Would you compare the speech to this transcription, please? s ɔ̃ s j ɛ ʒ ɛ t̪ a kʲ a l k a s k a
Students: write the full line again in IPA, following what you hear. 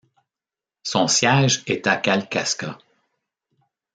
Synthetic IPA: s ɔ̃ s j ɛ ʒ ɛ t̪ a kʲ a l k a s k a